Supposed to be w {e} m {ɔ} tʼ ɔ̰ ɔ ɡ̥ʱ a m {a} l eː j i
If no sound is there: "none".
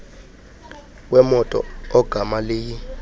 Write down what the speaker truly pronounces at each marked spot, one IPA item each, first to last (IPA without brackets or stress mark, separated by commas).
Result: ɛ, ɔ, a